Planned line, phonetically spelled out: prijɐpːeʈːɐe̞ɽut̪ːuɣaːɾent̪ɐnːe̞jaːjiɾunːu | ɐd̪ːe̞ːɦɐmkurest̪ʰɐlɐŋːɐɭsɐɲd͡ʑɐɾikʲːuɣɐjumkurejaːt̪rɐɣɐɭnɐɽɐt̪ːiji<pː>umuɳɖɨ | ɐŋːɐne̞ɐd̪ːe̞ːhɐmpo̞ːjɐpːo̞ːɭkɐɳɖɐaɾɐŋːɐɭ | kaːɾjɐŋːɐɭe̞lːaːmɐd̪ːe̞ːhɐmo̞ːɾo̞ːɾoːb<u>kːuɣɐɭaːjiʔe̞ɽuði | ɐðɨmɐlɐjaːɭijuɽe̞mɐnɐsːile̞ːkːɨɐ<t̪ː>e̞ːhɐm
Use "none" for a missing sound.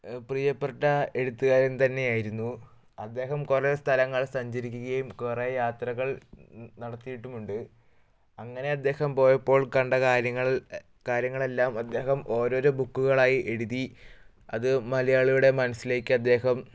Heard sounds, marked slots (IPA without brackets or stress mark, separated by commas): ʈː, u, d̪ː